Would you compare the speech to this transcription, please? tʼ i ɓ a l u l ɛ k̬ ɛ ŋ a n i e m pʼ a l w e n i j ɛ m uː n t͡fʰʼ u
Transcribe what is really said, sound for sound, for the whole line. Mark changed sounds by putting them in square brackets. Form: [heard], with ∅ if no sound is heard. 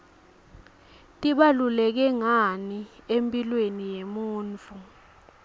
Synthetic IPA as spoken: tʼ i ɓ a l u l ɛ k̬ ɛ ŋ a n i e m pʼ [i] l w e n i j [e] m uː n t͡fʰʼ u

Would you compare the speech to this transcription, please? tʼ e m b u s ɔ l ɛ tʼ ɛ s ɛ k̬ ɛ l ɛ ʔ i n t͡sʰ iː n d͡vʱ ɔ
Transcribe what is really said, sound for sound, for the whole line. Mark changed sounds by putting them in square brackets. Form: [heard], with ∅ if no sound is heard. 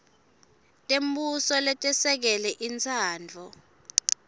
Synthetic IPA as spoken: tʼ e m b u s ɔ l ɛ tʼ ɛ s ɛ k̬ ɛ l ɛ ʔ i n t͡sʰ [aː] n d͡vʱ ɔ

